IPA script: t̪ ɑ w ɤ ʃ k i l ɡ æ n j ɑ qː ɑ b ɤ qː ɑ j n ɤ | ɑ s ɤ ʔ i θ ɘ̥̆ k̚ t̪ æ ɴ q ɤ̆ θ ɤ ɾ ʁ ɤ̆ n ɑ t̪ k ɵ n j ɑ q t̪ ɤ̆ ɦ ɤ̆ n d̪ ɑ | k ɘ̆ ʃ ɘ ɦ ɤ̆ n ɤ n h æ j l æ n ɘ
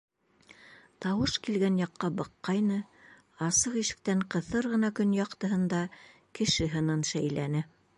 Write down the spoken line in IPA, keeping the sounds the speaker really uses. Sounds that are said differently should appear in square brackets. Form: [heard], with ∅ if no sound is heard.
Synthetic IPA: t̪ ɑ w ɤ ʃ k i l ɡ æ n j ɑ qː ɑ b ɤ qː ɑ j n ɤ | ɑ s ɤ [q] i [ʃ] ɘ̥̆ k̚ t̪ æ ɴ q ɤ̆ θ ɤ ɾ ʁ ɤ̆ n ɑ [∅] k ɵ n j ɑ q t̪ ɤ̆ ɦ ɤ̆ n d̪ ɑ | k ɘ̆ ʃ ɘ ɦ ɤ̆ n ɤ n [ʃ] æ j l æ n ɘ